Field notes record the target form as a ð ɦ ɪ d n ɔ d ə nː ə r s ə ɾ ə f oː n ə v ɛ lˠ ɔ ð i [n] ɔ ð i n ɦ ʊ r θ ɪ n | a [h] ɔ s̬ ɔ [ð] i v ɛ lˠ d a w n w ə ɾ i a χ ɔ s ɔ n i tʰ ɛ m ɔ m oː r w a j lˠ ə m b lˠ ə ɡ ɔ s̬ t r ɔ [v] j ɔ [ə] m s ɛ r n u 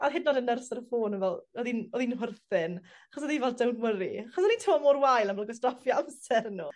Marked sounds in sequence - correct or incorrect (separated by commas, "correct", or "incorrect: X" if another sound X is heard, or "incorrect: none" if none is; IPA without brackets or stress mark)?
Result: correct, incorrect: χ, correct, incorrect: f, incorrect: a